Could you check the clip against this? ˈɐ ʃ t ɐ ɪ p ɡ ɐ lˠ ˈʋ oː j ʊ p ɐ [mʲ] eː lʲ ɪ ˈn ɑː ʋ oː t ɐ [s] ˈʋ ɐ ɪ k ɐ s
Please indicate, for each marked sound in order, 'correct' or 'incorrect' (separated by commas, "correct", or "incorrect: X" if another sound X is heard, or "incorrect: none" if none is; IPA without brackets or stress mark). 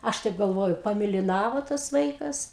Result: correct, correct